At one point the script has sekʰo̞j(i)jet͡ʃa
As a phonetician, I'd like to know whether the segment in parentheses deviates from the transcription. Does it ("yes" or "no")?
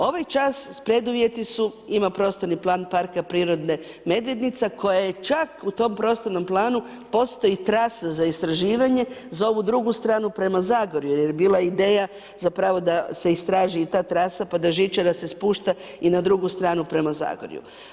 yes